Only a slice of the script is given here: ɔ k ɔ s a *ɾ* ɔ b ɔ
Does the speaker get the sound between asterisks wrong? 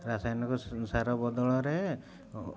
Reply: no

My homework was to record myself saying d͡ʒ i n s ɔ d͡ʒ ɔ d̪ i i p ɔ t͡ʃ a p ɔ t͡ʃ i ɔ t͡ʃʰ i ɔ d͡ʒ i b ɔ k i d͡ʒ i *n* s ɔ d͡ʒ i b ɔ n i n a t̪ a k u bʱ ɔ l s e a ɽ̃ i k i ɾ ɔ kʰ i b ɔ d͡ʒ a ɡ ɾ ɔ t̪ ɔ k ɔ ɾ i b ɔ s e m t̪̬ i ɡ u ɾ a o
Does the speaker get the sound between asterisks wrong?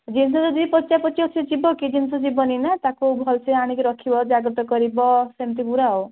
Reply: no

